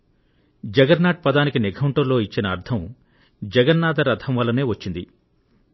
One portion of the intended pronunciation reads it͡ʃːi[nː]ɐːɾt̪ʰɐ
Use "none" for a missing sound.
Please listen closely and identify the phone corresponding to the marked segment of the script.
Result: n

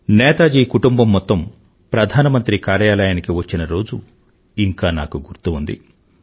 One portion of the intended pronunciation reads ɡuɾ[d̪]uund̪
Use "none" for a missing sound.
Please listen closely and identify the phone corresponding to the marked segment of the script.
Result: t̪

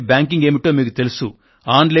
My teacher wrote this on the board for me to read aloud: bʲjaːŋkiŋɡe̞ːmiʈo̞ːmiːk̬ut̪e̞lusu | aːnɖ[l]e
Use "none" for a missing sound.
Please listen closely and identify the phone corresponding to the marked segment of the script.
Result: l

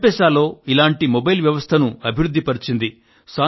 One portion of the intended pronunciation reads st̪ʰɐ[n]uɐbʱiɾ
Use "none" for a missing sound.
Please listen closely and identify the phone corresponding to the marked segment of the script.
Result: n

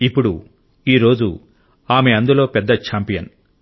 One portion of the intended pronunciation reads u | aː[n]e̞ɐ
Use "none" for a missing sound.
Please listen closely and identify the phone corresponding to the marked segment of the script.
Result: m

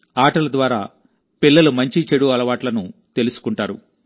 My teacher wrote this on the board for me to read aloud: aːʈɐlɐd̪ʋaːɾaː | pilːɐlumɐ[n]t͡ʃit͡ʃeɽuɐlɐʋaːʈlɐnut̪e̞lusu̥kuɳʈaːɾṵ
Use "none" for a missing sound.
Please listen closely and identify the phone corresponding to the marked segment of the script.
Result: ɲ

